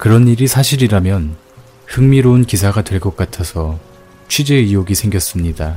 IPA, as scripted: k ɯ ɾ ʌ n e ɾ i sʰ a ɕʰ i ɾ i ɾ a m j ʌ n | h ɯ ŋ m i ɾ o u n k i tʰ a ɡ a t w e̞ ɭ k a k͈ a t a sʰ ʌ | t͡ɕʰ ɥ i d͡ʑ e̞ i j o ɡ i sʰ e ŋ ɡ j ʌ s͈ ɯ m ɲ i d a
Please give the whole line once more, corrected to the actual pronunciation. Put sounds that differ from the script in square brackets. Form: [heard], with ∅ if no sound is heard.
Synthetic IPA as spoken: k ɯ ɾ ʌ n [i] ɾ i sʰ a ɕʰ i ɾ i ɾ a m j ʌ n | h ɯ ŋ m i ɾ o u n k i [sʰ] a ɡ a t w e̞ ɭ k [ʌ] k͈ a [tʰ] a sʰ ʌ | t͡ɕʰ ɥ i d͡ʑ e̞ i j o ɡ i sʰ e ŋ ɡ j ʌ s͈ ɯ m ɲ i d a